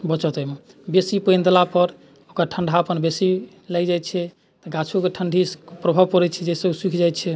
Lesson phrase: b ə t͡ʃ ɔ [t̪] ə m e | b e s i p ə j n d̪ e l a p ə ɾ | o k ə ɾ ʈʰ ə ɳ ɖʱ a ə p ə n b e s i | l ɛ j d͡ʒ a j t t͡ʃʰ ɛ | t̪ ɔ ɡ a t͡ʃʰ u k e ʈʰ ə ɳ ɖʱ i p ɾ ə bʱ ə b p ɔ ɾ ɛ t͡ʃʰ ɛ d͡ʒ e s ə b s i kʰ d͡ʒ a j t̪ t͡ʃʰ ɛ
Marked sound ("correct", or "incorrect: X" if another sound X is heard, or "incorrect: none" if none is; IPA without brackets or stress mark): correct